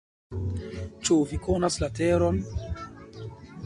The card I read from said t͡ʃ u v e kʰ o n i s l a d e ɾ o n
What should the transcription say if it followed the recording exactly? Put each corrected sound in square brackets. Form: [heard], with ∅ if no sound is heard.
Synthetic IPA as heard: t͡ʃ u v [i] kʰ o n [a] s l a [t] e ɾ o n